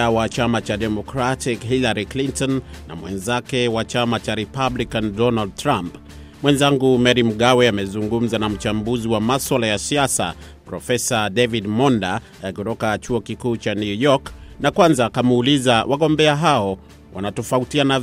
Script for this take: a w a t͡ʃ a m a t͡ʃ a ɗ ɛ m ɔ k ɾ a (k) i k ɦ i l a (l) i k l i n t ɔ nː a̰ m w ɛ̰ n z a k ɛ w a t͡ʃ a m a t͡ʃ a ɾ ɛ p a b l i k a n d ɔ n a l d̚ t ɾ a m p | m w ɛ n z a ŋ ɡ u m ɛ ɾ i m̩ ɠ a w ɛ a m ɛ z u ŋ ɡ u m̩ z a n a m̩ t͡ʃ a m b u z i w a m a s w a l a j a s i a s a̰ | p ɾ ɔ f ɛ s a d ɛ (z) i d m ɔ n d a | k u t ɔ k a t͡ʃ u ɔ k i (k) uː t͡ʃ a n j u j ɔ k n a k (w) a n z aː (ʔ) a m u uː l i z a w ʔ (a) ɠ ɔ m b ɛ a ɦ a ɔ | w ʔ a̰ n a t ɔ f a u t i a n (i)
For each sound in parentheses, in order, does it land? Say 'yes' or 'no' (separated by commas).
no, no, no, yes, yes, no, yes, no